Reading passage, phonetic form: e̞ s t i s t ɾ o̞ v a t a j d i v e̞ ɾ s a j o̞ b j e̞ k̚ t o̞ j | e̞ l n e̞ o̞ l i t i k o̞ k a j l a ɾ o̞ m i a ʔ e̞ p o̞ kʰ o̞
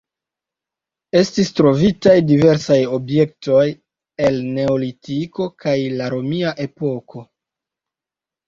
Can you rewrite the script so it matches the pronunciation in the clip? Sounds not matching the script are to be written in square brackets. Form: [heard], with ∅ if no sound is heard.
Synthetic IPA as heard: e̞ s t i s t ɾ o̞ v [i] t a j d i v e̞ ɾ s a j o̞ b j e̞ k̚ t o̞ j | e̞ l n e̞ o̞ l i t i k o̞ k a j l a ɾ o̞ m i a ʔ e̞ p o̞ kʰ o̞

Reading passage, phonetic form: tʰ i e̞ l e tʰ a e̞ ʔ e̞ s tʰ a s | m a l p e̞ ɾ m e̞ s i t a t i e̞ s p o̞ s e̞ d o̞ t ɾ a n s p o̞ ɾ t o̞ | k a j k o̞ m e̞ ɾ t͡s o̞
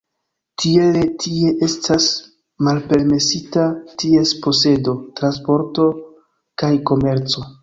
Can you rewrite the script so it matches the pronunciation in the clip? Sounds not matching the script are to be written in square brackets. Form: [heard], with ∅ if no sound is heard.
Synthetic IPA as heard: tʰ i e̞ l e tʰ [i] e̞ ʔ e̞ s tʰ a s | m a l p e̞ ɾ m e̞ s i t a t i e̞ s p o̞ s e̞ d o̞ t ɾ a n s p o̞ ɾ t o̞ | k a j k o̞ m e̞ ɾ t͡s o̞

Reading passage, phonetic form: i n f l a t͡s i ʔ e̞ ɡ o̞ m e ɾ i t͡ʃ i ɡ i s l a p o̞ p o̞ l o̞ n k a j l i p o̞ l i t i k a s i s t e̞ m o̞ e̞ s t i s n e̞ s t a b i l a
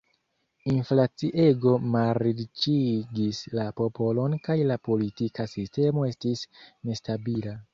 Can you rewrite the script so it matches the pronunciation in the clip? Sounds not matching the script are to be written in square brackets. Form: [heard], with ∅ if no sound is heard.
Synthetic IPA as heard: i n f l a t͡s i ʔ e̞ ɡ o̞ m [a] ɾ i t͡ʃ i ɡ i s l a p o̞ p o̞ l o̞ n k a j l [a] p o̞ l i t i k a s i s t e̞ m o̞ e̞ s t i s n e̞ s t a b i l a

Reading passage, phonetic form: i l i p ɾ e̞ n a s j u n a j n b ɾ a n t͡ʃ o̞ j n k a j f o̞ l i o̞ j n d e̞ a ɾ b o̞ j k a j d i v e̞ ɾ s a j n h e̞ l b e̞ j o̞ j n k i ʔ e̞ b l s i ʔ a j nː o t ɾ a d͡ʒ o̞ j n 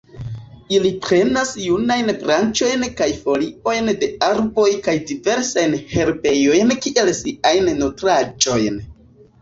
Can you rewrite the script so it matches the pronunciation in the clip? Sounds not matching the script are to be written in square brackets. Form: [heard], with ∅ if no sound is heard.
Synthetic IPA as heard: i l i p ɾ e̞ n a s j u n a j n b ɾ a n t͡ʃ o̞ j n k a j f o̞ l i o̞ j n d e̞ a ɾ b o̞ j k a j d i v e̞ ɾ s a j n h e̞ [ɾ] b e̞ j o̞ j n k i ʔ e̞ [∅] l s i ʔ a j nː o t ɾ a d͡ʒ o̞ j n

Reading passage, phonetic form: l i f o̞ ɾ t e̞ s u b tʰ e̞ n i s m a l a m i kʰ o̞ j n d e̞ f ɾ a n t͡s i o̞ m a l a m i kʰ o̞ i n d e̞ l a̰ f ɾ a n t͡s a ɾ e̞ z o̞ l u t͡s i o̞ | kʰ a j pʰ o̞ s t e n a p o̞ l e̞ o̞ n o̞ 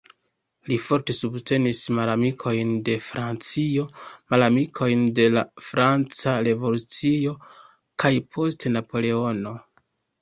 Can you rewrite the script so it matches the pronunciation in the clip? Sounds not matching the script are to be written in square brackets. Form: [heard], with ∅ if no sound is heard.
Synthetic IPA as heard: l i f o̞ ɾ t e̞ s u b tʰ e̞ n i s m a l a m i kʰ o̞ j n d e̞ f ɾ a n t͡s i o̞ m a l a m i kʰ o̞ [j] n d e̞ l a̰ f ɾ a n t͡s a ɾ e̞ [v] o̞ l u t͡s i o̞ | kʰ a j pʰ o̞ s t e n a p o̞ l e̞ o̞ n o̞

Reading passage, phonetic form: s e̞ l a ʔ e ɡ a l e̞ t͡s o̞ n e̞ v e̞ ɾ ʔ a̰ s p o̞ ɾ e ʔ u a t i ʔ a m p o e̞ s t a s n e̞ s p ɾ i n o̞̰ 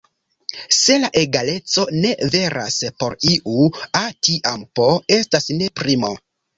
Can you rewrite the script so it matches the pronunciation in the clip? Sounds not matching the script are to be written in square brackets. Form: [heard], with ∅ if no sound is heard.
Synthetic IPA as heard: s e̞ l a ʔ e ɡ a l e̞ t͡s o̞ n e̞ v e̞ ɾ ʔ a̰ s p o̞ ɾ [i] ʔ u a t i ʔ a m p o e̞ s t a s n e̞ [∅] p ɾ i [m] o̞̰

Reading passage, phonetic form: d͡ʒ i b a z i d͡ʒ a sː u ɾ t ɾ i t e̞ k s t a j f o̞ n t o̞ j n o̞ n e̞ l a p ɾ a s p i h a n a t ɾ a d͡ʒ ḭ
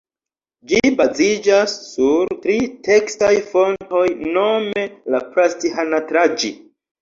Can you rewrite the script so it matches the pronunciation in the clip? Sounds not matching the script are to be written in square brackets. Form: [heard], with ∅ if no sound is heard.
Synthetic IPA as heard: d͡ʒ i b a z i d͡ʒ a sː u ɾ t ɾ i t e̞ k s t a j f o̞ n t o̞ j n o̞ [m] e̞ l a p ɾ a s [t] i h a n a t ɾ a d͡ʒ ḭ

